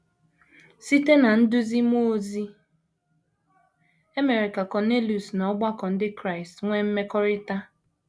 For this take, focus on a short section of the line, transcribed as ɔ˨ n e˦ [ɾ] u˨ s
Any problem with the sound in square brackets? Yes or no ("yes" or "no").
yes